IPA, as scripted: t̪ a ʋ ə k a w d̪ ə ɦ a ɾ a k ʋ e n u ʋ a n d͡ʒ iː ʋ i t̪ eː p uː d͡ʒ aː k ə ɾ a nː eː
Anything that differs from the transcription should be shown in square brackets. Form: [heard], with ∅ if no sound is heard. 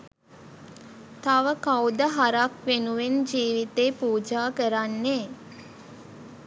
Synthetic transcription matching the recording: t̪ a ʋ ə k a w d̪ ə ɦ a ɾ a k ʋ e n u ʋ [e] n d͡ʒ iː ʋ i t̪ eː p uː d͡ʒ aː k ə ɾ a nː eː